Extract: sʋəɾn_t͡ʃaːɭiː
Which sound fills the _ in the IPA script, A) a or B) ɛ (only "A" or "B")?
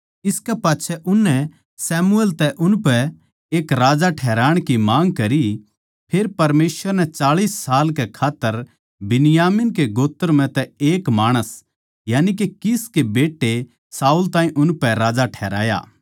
B